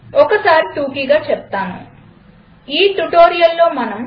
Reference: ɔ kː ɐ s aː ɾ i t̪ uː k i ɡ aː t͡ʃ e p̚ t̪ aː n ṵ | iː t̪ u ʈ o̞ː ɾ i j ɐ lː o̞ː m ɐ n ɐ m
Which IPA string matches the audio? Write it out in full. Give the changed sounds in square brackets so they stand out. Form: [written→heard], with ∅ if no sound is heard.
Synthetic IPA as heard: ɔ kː ɐ s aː ɾ i t̪ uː k i ɡ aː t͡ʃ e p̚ t̪ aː n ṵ | iː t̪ u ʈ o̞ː ɾ i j ɐ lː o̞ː m ɐ n ɐ m